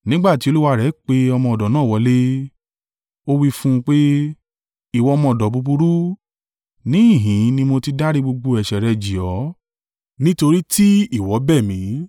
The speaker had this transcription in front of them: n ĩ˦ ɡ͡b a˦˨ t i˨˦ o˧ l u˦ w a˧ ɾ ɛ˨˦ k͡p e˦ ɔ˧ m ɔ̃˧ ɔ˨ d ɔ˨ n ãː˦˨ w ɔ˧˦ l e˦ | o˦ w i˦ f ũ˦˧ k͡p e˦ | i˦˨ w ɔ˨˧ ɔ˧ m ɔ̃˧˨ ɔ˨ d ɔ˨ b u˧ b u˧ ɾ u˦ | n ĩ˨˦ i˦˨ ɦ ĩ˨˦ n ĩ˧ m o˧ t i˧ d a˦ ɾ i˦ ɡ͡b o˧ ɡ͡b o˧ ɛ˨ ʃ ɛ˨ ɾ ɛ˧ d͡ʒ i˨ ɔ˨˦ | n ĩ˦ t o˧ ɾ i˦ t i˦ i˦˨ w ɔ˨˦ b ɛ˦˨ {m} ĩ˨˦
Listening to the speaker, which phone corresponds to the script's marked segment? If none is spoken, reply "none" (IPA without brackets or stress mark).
m